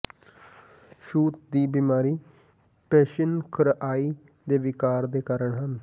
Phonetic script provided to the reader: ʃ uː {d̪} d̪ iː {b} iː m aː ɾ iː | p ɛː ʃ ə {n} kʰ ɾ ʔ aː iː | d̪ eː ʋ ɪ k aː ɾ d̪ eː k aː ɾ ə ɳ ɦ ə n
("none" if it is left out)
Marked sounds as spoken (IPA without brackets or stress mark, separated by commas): t̪, b, n